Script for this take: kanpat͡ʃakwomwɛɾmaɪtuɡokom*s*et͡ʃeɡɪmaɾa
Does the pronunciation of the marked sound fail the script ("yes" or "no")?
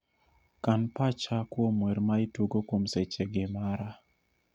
no